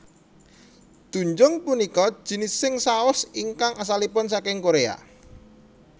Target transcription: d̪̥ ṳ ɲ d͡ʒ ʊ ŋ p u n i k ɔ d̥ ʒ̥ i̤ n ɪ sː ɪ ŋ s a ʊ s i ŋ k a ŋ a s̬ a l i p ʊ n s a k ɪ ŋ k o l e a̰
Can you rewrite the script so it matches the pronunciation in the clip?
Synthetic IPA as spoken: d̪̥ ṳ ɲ d͡ʒ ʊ ŋ p u n i k ɔ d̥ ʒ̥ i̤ n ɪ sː ɪ ŋ s a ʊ s i ŋ k a ŋ a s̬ a l i p ʊ n s a k ɪ ŋ k o ɾ e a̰